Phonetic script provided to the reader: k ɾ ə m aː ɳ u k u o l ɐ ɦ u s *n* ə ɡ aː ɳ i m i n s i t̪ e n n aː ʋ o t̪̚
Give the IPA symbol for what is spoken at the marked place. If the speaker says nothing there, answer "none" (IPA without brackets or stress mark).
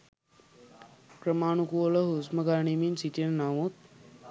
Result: m